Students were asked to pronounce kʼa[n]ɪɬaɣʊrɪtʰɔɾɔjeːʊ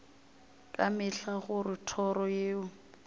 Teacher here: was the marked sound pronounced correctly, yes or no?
no